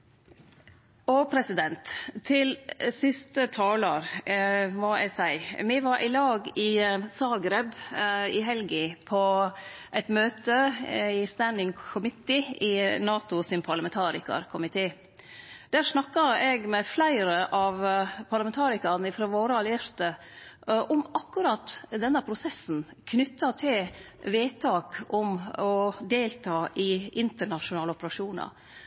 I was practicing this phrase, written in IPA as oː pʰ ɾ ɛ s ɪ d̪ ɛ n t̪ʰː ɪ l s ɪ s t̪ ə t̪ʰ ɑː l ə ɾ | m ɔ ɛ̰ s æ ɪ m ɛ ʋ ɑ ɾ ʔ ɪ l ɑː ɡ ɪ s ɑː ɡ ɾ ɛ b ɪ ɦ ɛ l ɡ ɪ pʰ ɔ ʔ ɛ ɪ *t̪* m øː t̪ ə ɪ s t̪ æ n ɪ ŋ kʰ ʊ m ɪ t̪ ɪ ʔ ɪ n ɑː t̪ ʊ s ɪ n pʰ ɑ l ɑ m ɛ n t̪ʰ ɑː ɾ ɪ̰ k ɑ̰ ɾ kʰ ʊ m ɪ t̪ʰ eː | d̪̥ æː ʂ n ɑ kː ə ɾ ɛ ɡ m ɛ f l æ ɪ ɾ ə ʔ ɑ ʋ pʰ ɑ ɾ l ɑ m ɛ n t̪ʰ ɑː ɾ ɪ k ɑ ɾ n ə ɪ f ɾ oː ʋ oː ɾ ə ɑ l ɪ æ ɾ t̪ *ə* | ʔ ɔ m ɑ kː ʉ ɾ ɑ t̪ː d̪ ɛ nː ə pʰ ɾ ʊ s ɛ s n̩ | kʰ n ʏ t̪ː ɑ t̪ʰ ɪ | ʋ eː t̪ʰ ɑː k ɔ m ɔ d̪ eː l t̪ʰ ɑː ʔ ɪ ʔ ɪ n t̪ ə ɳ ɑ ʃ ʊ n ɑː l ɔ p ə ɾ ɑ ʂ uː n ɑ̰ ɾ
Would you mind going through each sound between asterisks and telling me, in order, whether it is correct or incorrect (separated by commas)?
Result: correct, correct